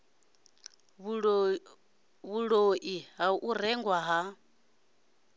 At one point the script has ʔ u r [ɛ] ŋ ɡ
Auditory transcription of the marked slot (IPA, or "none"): ɛ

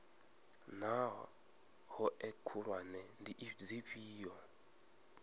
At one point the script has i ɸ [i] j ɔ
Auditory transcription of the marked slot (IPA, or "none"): iː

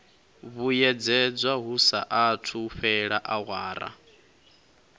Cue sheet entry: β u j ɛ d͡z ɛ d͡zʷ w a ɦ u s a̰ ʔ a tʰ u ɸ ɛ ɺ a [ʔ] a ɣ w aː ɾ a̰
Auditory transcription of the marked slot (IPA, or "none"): ʔ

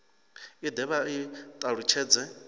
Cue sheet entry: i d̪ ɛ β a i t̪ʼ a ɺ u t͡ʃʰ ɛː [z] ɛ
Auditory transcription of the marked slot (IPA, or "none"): d͡z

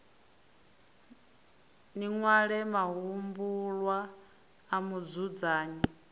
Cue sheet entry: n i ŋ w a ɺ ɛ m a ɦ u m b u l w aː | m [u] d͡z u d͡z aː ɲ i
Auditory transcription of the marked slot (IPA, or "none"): u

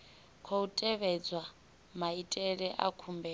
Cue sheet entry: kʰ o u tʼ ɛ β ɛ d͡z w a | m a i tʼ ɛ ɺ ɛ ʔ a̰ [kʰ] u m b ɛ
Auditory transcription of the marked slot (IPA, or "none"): kʰ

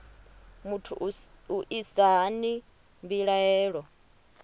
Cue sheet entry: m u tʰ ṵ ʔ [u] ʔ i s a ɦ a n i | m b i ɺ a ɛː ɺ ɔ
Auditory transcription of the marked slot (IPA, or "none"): u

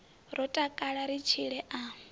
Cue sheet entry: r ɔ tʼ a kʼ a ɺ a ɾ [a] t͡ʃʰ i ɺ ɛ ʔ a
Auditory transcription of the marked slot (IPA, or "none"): i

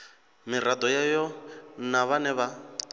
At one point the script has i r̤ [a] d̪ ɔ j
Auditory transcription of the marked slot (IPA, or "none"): a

